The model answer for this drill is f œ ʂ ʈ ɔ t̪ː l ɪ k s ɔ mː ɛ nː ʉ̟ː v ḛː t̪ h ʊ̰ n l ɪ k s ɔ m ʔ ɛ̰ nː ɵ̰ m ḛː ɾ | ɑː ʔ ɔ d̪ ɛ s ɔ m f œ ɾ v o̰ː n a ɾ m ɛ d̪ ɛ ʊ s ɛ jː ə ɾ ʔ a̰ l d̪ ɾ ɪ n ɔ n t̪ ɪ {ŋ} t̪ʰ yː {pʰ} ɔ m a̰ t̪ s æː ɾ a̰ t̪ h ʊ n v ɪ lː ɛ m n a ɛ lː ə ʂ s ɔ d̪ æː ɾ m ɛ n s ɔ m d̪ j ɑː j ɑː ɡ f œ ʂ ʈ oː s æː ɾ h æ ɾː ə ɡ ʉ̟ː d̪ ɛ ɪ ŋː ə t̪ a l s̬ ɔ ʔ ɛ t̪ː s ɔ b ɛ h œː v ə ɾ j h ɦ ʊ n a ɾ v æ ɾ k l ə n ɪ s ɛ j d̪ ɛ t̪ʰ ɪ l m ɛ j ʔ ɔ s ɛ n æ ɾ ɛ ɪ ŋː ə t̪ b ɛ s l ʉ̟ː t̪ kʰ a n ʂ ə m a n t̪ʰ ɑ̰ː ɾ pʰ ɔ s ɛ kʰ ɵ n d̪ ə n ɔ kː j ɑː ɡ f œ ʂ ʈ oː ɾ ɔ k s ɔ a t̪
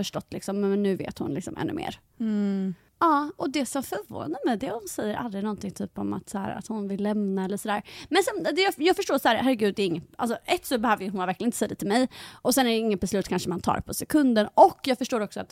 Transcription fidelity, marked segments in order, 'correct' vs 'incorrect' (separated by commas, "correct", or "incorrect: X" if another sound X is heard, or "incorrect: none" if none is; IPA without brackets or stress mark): correct, incorrect: p